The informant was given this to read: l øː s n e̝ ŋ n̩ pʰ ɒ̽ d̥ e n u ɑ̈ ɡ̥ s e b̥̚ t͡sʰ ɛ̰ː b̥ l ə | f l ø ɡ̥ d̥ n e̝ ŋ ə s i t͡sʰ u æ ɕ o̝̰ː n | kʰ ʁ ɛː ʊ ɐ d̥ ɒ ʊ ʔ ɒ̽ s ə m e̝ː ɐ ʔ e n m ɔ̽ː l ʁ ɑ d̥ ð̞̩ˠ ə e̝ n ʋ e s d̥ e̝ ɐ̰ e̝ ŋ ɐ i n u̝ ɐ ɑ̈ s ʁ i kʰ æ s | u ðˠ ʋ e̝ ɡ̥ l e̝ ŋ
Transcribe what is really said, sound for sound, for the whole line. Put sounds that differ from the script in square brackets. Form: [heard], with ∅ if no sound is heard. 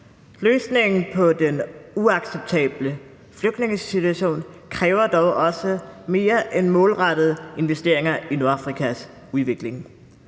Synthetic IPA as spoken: l øː s n e̝ ŋ n̩ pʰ ɒ̽ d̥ e n u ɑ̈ ɡ̥ s e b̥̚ t͡sʰ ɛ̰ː b̥ l ə | f l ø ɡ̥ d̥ n e̝ ŋ ə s i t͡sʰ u æ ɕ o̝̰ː n | kʰ ʁ ɛː ʊ ɐ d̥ ɒ ʊ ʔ ɒ̽ s ə m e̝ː ɐ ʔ e n m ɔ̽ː l ʁ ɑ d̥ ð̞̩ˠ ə e̝ n ʋ e s d̥ e̝ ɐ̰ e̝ ŋ ɐ i n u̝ ɐ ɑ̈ [f] ʁ i kʰ æ s | u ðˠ ʋ e̝ ɡ̥ l e̝ ŋ